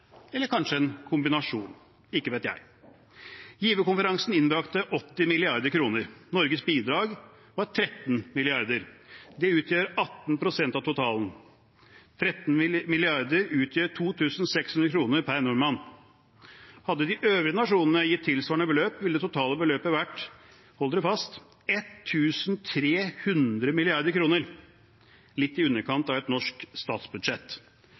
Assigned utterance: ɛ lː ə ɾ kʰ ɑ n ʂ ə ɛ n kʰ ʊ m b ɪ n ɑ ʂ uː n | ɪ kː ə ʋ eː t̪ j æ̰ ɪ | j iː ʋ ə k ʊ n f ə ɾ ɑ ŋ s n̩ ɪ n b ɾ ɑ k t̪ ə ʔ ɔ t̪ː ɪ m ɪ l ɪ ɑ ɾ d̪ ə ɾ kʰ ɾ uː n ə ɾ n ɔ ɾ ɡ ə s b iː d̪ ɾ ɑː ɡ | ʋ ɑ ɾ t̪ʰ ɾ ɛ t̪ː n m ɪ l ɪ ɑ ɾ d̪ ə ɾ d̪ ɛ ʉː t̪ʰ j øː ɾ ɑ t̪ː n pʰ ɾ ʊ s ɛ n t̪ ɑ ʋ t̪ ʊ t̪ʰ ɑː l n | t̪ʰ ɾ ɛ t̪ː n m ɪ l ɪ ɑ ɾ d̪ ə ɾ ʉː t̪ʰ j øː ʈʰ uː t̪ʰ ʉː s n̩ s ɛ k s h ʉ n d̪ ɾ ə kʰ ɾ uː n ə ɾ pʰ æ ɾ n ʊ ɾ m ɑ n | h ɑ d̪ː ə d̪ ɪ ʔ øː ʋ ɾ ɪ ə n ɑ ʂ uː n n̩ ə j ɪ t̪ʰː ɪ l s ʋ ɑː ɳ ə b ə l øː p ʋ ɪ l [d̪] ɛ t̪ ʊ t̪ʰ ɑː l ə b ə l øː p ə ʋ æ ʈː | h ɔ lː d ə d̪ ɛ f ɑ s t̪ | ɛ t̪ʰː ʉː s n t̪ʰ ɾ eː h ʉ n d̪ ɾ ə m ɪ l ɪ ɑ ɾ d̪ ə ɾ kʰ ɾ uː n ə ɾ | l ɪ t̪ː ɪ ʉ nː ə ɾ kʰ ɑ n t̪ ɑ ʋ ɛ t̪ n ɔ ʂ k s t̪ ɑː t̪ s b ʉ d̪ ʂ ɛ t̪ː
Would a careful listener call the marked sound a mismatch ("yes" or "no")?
no